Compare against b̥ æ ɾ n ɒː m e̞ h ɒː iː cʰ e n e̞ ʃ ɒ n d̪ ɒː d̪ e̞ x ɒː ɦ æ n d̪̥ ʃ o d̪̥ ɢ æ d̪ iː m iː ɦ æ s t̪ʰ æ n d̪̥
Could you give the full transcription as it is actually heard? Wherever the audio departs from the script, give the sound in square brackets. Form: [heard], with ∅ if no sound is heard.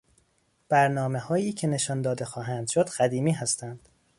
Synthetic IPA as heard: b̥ æ ɾ n ɒː m e̞ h ɒː iː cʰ e n e̞ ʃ ɒ n d̪ ɒː d̪ e̞ x ɒː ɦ æ n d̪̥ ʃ o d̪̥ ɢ æ d̪ iː m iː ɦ æ s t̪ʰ æ n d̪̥